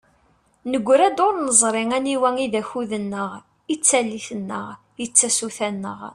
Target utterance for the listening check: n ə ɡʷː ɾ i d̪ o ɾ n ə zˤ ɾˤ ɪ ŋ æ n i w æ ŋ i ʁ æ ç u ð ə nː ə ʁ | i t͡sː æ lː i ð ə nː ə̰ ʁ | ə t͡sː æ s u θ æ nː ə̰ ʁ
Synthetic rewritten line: n ə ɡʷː ɾ æ d̪ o ɾ n ə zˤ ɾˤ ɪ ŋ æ n i w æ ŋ i ð æ ç u ð ə nː ə ʁ | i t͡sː æ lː i θ ə nː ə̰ ʁ | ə t͡sː æ s u θ æ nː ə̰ ʁ